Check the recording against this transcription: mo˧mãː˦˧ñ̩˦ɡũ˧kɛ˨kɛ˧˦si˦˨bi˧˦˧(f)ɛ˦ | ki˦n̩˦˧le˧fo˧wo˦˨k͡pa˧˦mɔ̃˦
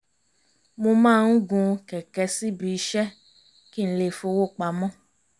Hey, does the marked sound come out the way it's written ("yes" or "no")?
no